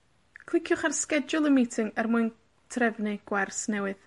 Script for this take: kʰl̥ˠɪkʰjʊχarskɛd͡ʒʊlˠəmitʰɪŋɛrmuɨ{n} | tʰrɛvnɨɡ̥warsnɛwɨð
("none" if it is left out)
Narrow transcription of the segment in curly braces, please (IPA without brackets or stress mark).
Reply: n